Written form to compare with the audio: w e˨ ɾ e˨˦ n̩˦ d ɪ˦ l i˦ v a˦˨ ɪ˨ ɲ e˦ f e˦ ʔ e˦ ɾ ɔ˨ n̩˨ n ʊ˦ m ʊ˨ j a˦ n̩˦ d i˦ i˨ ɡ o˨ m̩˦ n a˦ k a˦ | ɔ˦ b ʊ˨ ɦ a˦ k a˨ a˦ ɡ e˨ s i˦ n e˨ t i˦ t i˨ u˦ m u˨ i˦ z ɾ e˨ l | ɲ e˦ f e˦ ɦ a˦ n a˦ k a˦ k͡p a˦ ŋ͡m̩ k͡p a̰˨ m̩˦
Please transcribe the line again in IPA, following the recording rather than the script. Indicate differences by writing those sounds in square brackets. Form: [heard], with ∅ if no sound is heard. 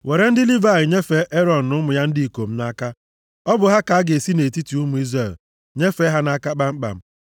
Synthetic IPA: w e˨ ɾ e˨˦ n̩˦ d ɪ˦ l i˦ v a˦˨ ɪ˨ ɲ e˦ f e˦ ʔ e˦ ɾ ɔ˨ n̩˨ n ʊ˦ m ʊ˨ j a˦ n̩˦ d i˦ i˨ [k] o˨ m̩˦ n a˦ k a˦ | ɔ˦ b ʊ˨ ɦ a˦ k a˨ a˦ ɡ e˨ s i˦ n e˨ t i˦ t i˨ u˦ m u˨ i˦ z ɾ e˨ l | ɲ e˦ f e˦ ɦ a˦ n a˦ k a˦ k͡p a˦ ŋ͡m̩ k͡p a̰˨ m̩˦